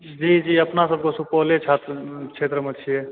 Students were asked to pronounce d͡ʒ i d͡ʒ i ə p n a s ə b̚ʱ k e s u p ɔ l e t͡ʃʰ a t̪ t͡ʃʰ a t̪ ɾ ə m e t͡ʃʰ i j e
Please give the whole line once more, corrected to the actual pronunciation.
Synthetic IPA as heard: d͡ʒ i d͡ʒ i ə p n a s ə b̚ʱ k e s u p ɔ l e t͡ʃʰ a t̪ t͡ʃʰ e t̪ ɾ ə m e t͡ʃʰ i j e